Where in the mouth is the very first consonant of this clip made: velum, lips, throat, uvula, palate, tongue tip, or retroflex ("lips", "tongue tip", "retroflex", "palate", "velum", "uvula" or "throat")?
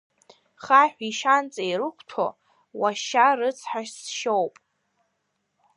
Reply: uvula